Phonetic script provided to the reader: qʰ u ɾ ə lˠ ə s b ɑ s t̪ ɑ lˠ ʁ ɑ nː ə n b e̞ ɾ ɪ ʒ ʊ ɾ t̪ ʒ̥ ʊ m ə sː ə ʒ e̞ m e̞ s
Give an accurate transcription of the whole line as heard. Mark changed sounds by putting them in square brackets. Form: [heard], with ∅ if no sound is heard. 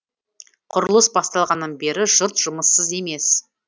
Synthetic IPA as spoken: qʰ [ʊ] ɾ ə lˠ ə s b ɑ s t̪ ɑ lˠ ʁ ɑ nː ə n b e̞ ɾ ɪ ʒ ʊ ɾ t̪ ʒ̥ ʊ m ə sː ə [z] e̞ m e̞ s